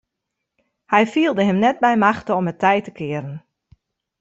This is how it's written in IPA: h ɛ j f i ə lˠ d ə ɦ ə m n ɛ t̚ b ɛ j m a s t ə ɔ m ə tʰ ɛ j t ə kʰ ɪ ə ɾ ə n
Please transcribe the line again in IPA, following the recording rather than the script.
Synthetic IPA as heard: h ɛ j f i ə lˠ d ə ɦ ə m n ɛ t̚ b ɛ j m a x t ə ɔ m ə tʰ ɛ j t ə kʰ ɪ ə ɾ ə n